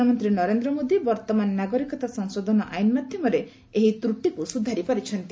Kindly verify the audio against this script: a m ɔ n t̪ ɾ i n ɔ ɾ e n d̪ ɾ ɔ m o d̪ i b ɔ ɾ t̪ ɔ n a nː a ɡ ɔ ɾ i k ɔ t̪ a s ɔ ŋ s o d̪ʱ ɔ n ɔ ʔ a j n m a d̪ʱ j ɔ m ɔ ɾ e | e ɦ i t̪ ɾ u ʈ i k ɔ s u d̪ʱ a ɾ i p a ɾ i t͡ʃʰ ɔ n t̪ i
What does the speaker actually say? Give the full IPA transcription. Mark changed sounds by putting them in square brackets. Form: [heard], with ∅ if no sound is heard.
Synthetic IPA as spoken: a m ɔ n t̪ ɾ i n ɔ ɾ e n d̪ ɾ ɔ m o d̪ i b ɔ ɾ t̪ ɔ [m] a nː a ɡ ɔ ɾ i k ɔ t̪ a s ɔ ŋ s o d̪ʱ ɔ n ɔ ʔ a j n m a d̪ʱ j ɔ m ɔ ɾ e | e ɦ i t̪ ɾ u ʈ i k [u] s u d̪ʱ a ɾ i p a ɾ i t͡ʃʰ ɔ n t̪ i

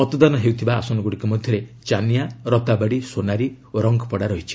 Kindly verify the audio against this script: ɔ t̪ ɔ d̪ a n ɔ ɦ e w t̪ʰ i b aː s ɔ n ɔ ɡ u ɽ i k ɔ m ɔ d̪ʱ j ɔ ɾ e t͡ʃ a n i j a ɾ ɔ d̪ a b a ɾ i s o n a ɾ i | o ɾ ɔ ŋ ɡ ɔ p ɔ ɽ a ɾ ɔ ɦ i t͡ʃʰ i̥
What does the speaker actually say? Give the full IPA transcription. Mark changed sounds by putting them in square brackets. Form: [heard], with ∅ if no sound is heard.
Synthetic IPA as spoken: ɔ t̪ ɔ d̪ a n ɔ ɦ e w t̪ʰ i b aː s ɔ n ɔ ɡ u ɽ i k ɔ m ɔ d̪ʱ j ɔ ɾ e t͡ʃ a n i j a ɾ ɔ [t̪] a b a [ɽ] i s o n a ɾ i | o ɾ ɔ ŋ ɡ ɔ p ɔ ɽ a ɾ ɔ ɦ i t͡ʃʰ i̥

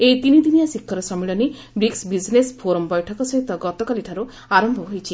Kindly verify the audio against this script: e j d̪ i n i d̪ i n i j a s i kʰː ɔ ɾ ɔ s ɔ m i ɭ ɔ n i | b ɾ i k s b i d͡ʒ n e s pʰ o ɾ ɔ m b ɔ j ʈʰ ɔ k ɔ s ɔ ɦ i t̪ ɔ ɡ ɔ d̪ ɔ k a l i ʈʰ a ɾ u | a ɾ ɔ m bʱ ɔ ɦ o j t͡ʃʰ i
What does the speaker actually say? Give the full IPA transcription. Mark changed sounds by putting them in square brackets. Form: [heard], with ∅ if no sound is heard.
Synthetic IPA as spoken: e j [t̪] i n i d̪ i n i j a s i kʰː ɔ ɾ ɔ s ɔ m i ɭ ɔ n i | b ɾ i k s b i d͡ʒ n e s pʰ o ɾ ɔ m b ɔ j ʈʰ ɔ k ɔ s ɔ ɦ i t̪ ɔ ɡ ɔ [t̪] ɔ k a l i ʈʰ a ɾ u | a ɾ ɔ m bʱ ɔ ɦ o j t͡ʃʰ i

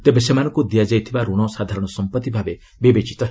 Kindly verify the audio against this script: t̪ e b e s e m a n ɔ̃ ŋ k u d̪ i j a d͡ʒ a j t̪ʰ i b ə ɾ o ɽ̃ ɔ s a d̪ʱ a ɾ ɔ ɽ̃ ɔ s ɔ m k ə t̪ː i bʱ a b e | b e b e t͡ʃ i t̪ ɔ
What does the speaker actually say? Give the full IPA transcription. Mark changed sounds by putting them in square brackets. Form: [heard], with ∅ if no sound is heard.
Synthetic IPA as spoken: t̪ e b e s e m a n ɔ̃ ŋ k u d̪ i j a d͡ʒ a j t̪ʰ i b [a] ɾ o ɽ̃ ɔ s a d̪ʱ a ɾ ɔ ɽ̃ ɔ s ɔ m [p] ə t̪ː i bʱ a b e | b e b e t͡ʃ i t̪ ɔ

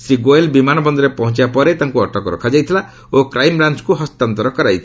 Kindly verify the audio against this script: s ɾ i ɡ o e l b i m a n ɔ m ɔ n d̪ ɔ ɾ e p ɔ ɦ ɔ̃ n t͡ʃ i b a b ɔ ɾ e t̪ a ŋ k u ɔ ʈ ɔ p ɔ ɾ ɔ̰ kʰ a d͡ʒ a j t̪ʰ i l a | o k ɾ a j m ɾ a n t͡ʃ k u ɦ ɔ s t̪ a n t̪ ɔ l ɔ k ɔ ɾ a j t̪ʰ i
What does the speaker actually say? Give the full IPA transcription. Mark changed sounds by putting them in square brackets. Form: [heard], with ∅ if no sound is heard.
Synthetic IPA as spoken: s ɾ i ɡ o e l b i m a n ɔ [b] ɔ n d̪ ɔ ɾ e p ɔ ɦ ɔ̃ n t͡ʃ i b a [p] ɔ ɾ e t̪ a ŋ k u ɔ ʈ ɔ [k] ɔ ɾ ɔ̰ kʰ a d͡ʒ a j t̪ʰ i l a | o k ɾ a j m ɾ a n t͡ʃ k u ɦ ɔ s t̪ a n t̪ ɔ [ɾ] ɔ k ɔ ɾ a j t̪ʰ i

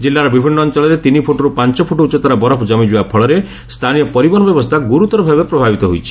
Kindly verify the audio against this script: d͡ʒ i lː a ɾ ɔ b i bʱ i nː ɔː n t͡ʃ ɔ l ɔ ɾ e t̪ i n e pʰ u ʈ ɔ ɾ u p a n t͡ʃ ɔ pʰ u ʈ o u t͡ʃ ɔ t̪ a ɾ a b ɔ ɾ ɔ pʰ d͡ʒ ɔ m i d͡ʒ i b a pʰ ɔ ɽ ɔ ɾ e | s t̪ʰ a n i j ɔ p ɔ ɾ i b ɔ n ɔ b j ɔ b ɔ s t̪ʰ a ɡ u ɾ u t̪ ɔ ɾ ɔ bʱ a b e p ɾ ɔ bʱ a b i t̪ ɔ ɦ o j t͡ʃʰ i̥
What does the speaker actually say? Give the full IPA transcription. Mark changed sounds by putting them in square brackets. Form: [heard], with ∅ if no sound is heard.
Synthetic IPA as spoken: d͡ʒ i lː a ɾ ɔ b i bʱ i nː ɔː n t͡ʃ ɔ l ɔ ɾ e t̪ i n [i] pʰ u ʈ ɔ ɾ u p a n t͡ʃ ɔ pʰ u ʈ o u t͡ʃ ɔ t̪ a ɾ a b ɔ ɾ ɔ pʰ d͡ʒ ɔ m i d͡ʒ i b a pʰ ɔ [ɭ] ɔ ɾ e | s t̪ʰ a n i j ɔ p ɔ ɾ i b ɔ n ɔ b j ɔ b ɔ s t̪ʰ a ɡ u ɾ u t̪ ɔ ɾ ɔ bʱ a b e p ɾ ɔ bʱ a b i t̪ ɔ ɦ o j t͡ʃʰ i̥

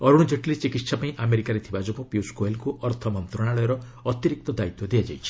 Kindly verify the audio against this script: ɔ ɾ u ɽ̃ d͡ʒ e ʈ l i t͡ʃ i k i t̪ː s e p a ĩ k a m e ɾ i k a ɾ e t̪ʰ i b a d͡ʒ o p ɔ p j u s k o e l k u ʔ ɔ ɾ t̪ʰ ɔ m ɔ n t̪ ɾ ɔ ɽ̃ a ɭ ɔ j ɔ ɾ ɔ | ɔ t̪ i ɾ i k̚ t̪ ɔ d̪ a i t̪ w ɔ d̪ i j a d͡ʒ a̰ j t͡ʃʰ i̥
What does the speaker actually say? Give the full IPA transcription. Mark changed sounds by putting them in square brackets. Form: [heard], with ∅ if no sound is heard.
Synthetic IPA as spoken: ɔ ɾ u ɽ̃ d͡ʒ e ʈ l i t͡ʃ i k i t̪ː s [a] p a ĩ [ʔ] a m e ɾ i k a ɾ e t̪ʰ i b a d͡ʒ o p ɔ p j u s k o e l k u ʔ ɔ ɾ t̪ʰ ɔ m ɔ n t̪ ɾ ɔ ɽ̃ a ɭ ɔ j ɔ ɾ ɔ | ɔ t̪ i ɾ i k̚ t̪ ɔ d̪ a i t̪ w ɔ d̪ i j a d͡ʒ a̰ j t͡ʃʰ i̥

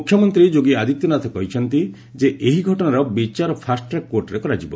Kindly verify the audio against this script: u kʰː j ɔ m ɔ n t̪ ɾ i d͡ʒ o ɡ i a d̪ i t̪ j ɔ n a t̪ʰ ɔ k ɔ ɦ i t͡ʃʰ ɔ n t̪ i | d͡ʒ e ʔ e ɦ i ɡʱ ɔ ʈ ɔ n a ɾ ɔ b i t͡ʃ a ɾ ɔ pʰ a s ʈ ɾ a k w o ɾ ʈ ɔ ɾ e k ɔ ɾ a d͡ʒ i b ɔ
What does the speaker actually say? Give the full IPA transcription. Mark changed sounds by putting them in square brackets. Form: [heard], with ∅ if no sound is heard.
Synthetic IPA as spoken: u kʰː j ɔ m ɔ n t̪ ɾ i d͡ʒ o ɡ i a d̪ i t̪ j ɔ n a t̪ʰ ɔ k ɔ ɦ i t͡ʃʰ ɔ n t̪ i | d͡ʒ e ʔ e ɦ i ɡʱ ɔ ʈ ɔ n a ɾ ɔ b i t͡ʃ a ɾ ɔ pʰ a s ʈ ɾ a k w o ɾ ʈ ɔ ɾ e k ɔ ɾ a d͡ʒ i b ɔ

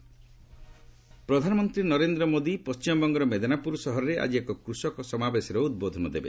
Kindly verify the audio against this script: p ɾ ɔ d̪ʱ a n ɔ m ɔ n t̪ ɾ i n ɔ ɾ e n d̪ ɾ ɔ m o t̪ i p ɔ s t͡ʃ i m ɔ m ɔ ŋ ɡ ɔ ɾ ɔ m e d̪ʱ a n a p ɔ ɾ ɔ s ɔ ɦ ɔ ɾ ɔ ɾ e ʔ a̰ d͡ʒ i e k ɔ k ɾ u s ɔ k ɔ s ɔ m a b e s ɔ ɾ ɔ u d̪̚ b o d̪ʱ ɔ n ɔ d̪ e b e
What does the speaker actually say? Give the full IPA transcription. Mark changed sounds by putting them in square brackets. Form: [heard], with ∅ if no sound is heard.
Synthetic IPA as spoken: p ɾ ɔ d̪ʱ a n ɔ m ɔ n t̪ ɾ i n ɔ ɾ e n d̪ ɾ ɔ m o [d̪] i p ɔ s t͡ʃ i m ɔ [b] ɔ ŋ ɡ ɔ ɾ ɔ m e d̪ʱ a n a p [u] ɾ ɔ s ɔ ɦ ɔ ɾ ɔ ɾ e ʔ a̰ d͡ʒ i e k ɔ k ɾ u s ɔ k ɔ s ɔ m a b e s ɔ ɾ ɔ u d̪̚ b o d̪ʱ ɔ n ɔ d̪ e b e

